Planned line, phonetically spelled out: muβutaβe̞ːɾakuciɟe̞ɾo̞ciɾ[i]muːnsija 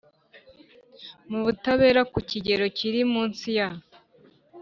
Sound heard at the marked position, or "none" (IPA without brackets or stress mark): i